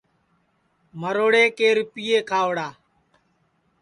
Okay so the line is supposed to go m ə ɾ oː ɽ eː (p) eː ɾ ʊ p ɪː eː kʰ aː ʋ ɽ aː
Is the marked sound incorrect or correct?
incorrect